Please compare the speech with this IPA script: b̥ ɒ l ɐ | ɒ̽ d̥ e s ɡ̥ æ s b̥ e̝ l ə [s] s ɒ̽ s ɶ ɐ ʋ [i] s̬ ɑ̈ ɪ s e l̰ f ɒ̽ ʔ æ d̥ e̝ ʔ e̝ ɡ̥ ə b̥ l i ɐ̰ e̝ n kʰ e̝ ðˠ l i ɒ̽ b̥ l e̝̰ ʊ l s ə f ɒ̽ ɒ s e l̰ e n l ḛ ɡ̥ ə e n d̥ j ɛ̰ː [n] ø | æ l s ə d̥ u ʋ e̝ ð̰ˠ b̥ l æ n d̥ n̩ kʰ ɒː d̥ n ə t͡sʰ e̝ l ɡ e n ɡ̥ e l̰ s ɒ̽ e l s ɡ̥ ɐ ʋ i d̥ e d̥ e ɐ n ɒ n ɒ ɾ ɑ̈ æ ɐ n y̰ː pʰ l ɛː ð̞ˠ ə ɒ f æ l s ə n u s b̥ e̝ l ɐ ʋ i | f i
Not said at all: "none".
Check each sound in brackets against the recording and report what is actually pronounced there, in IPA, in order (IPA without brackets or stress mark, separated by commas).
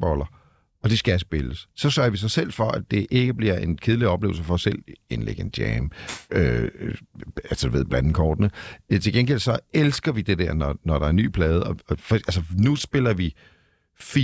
s, i, m